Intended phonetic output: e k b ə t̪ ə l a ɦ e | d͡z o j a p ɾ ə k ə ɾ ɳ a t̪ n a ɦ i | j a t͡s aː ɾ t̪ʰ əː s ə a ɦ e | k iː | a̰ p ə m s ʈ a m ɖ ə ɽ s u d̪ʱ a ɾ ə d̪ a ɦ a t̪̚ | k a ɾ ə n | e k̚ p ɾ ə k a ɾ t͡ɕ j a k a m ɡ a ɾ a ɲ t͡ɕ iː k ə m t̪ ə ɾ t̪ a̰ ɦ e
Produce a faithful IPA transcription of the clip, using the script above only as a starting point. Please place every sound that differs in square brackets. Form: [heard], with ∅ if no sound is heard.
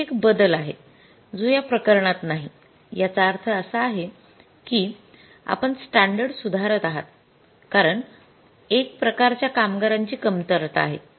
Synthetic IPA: e k b ə [d̪] ə l a ɦ e | d͡z o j a p ɾ ə k ə ɾ ɳ a t̪ n a ɦ i | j a t͡s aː ɾ t̪ʰ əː s ə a ɦ e | k iː | a̰ p ə [ɳ] s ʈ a [ɳ] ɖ ə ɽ s u d̪ʱ a ɾ ə [t̪] a ɦ a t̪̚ | k a ɾ ə [ɳ] | e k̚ p ɾ ə k a ɾ t͡ɕ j a k a m ɡ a ɾ a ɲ t͡ɕ iː k ə m t̪ ə ɾ t̪ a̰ ɦ e